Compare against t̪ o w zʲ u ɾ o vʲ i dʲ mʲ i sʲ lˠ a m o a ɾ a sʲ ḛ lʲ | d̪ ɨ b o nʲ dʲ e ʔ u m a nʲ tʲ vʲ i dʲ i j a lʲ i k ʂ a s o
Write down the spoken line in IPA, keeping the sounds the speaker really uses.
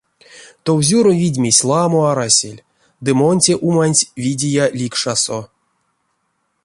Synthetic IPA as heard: t̪ o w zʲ u ɾ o vʲ i dʲ mʲ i sʲ lˠ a m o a ɾ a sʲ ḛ lʲ | d̪ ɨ m o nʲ tʲ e ʔ u m a nʲ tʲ vʲ i dʲ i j a lʲ i k ʂ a s o